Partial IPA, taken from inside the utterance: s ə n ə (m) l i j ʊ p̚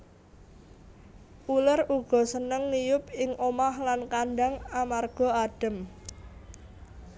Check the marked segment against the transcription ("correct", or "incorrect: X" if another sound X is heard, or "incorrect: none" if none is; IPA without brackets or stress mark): incorrect: ŋ